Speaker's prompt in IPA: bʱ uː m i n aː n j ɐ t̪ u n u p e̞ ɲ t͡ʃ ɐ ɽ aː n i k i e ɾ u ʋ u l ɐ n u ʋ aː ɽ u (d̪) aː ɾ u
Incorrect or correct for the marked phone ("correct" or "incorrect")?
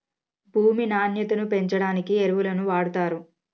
incorrect